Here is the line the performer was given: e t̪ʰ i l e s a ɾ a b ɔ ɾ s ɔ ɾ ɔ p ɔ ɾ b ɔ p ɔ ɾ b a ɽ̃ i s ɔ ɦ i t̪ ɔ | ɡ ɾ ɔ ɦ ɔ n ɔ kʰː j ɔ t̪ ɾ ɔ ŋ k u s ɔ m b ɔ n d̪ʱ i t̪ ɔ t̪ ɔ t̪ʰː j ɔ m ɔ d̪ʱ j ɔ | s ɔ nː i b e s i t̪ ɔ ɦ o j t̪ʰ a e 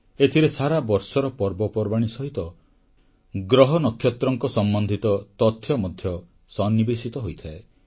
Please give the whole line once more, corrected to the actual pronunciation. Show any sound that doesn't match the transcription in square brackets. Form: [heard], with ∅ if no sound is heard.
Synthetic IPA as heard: e t̪ʰ i [ɾ] e s a ɾ a b ɔ ɾ s ɔ ɾ ɔ p ɔ ɾ b ɔ p ɔ ɾ b a ɽ̃ i s ɔ ɦ i t̪ ɔ | ɡ ɾ ɔ ɦ ɔ n ɔ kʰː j ɔ t̪ ɾ ɔ ŋ k [ɔ] s ɔ m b ɔ n d̪ʱ i t̪ ɔ t̪ ɔ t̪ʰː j ɔ m ɔ d̪ʱ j ɔ | s ɔ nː i b e s i t̪ ɔ ɦ o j t̪ʰ a e